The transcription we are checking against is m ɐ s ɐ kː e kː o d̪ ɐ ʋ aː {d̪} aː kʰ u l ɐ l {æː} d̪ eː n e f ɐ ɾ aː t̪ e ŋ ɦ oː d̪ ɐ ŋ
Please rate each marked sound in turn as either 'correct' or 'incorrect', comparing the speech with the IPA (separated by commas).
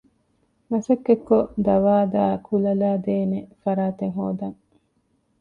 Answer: correct, incorrect